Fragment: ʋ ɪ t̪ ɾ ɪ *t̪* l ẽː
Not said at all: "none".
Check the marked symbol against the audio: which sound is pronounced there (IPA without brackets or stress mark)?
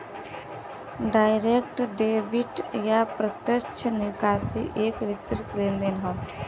t̪